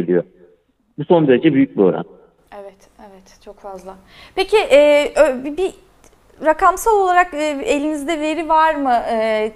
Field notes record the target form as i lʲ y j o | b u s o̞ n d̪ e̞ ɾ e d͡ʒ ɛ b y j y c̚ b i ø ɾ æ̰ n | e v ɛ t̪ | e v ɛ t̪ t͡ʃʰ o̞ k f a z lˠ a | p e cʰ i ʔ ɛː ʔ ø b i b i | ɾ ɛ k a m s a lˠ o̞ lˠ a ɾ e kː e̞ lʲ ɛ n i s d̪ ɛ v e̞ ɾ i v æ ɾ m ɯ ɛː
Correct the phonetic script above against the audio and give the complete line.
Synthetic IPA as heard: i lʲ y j o | b u s o̞ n d̪ e̞ ɾ e d͡ʒ ɛ b y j y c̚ b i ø ɾ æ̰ n | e v ɛ t̪ | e v ɛ t̪ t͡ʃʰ o̞ k f a z lˠ a | p e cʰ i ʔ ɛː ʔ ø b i b i | ɾ a k a m s a lˠ o̞ lˠ a ɾ a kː e̞ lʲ i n i z d̪ ɛ v e̞ ɾ i v a ɾ m ɯ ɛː